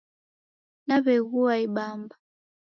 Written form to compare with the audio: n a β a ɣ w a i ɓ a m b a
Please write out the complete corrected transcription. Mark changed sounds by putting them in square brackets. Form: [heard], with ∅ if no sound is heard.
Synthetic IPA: n a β [ɛ] ɣ [u] a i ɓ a m b a